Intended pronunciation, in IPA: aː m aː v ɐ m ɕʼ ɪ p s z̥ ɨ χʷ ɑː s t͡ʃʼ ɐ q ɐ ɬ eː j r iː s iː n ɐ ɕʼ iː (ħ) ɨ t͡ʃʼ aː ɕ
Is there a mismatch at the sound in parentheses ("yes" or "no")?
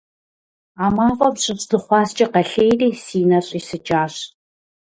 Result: yes